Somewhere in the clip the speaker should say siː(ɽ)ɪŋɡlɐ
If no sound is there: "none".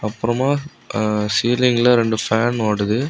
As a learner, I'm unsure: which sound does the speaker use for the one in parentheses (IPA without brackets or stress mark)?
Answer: l